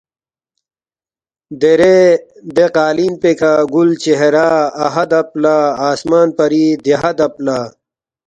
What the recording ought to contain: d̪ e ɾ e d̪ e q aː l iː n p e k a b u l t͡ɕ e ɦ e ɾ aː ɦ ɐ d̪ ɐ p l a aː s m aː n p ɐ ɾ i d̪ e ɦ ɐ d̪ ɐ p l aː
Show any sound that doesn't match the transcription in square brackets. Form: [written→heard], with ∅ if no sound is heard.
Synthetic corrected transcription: d̪ e ɾ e d̪ e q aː l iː n p e k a [b→ɡ] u l t͡ɕ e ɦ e ɾ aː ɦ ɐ d̪ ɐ p l a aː s m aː n p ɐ ɾ i d̪ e ɦ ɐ d̪ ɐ p l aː

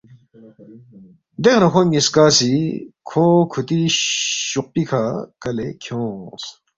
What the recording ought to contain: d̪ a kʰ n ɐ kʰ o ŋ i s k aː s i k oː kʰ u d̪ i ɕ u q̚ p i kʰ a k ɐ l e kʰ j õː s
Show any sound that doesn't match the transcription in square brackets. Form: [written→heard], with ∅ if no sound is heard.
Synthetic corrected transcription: d̪ [a→e] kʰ n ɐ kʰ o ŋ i s k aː s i [k→kʰ] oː kʰ u [d̪→t̪] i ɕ u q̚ p i kʰ a k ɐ l e kʰ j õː s

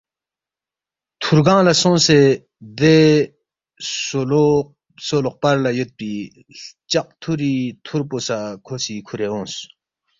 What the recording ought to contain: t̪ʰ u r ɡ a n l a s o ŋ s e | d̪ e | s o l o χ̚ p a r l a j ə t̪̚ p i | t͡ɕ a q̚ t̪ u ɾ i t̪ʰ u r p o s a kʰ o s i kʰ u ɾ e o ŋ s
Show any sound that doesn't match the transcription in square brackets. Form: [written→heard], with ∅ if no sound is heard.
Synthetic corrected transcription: t̪ʰ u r ɡ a [n→ŋ] l a s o ŋ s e | d̪ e | s o l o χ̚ p a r l a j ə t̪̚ p i | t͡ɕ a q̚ [t̪→t̪ʰ] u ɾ i t̪ʰ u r p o s a kʰ o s i kʰ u ɾ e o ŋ s

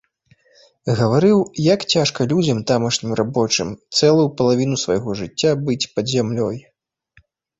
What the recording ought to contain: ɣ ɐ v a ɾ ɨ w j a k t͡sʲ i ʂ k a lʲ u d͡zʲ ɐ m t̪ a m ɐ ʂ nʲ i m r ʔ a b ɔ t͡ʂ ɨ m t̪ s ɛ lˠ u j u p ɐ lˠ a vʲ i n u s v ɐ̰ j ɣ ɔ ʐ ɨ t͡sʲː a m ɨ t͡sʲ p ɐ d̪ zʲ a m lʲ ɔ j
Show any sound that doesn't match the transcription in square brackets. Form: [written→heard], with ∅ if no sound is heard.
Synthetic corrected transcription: ɣ ɐ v a ɾ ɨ w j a k t͡sʲ [i→a] ʂ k [a→ɐ] lʲ u d͡zʲ ɐ m t̪ a m ɐ ʂ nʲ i m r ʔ a b ɔ t͡ʂ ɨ m t̪ s ɛ lˠ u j u p ɐ lˠ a vʲ i n u s v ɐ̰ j ɣ ɔ ʐ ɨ t͡sʲː a [m→b] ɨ t͡sʲ p ɐ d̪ zʲ a m lʲ ɔ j

